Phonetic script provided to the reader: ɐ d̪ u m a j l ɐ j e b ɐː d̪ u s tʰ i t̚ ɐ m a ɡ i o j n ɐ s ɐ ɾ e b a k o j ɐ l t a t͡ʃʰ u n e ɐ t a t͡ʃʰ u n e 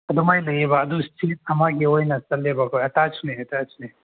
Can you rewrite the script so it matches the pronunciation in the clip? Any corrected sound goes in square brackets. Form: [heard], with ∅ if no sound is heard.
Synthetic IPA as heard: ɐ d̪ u m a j l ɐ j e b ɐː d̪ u s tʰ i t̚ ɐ m a ɡ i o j n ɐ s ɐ [l] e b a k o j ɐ [∅] t a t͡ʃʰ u n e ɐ t a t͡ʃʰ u n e